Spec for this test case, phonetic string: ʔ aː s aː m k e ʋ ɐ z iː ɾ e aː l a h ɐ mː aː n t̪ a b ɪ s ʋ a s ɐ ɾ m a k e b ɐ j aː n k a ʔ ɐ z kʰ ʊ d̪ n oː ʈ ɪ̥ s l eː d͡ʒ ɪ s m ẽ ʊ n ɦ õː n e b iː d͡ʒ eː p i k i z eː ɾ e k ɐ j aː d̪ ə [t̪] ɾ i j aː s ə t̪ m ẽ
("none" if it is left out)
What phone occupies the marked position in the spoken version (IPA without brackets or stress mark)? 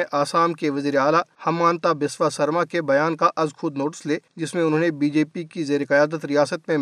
t̪